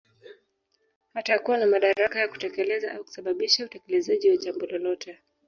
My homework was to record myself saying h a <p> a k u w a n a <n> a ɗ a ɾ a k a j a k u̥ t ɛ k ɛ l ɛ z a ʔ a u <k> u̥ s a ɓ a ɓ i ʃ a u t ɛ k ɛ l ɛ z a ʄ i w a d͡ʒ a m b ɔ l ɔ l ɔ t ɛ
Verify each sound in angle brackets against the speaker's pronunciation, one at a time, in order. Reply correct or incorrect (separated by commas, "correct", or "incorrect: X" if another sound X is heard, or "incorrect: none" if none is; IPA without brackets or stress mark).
incorrect: t, incorrect: m, correct